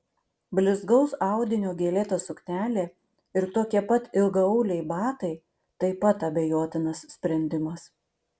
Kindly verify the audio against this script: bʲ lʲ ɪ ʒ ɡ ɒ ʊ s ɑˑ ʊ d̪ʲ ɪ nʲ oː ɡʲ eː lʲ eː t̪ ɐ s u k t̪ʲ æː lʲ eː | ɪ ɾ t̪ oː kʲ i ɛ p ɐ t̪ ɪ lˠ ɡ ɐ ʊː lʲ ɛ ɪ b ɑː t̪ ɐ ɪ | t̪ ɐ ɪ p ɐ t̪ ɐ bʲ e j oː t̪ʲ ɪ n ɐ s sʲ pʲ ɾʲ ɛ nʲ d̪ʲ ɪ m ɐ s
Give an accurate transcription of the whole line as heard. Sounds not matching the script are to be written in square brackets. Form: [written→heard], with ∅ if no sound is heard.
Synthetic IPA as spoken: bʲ lʲ ɪ [ʒ→z] ɡ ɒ ʊ s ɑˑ ʊ d̪ʲ ɪ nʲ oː ɡʲ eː lʲ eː t̪ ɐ s [u→ʊ] k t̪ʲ æː lʲ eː | ɪ ɾ t̪ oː kʲ i ɛ p ɐ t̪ ɪ lˠ ɡ ɐ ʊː lʲ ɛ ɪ b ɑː t̪ ɐ ɪ | t̪ ɐ ɪ p ɐ t̪ ɐ bʲ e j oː t̪ʲ ɪ n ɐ s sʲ pʲ ɾʲ ɛ nʲ d̪ʲ ɪ m ɐ s